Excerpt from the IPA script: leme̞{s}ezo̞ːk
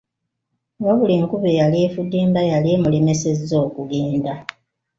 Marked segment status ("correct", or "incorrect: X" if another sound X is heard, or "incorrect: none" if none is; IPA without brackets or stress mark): correct